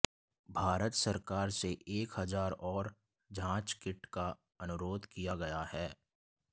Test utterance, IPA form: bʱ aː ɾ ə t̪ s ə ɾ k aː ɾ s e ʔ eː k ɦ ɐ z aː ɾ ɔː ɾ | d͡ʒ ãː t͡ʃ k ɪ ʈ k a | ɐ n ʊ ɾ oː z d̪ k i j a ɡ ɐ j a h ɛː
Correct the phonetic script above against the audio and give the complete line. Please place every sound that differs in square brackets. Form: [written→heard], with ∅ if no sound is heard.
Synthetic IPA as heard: bʱ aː ɾ ə t̪ s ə ɾ k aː ɾ s e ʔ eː k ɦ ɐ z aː ɾ ɔː ɾ | d͡ʒ ãː t͡ʃ k ɪ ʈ k a | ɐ n ʊ ɾ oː [z→∅] d̪ k i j a ɡ ɐ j a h ɛː